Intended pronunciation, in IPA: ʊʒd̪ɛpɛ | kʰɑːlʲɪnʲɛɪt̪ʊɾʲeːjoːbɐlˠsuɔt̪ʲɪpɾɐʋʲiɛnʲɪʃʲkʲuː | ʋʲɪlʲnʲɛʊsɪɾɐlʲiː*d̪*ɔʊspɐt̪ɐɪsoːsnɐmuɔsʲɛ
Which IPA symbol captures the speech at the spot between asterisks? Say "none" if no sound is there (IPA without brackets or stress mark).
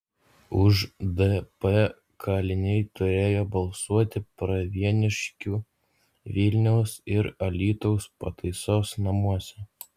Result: t̪